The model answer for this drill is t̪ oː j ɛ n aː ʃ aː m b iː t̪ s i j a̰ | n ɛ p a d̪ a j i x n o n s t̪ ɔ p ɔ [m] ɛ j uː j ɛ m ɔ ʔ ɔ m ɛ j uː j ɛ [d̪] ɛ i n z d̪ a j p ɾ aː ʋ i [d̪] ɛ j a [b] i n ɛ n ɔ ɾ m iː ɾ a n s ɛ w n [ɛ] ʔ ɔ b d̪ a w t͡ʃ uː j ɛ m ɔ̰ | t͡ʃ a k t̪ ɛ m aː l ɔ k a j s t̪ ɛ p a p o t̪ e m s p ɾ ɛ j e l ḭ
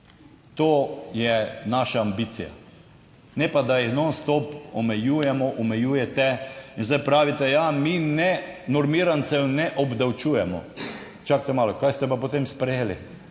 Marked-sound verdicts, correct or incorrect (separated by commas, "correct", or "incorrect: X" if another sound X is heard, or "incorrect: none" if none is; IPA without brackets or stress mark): correct, incorrect: t̪, incorrect: t̪, incorrect: m, correct